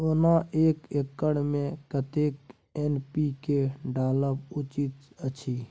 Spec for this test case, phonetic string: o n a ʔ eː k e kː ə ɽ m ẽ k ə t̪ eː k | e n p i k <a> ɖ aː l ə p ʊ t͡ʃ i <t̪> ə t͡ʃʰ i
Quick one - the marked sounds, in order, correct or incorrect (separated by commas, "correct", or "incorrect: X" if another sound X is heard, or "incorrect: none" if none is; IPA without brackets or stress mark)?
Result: incorrect: e, correct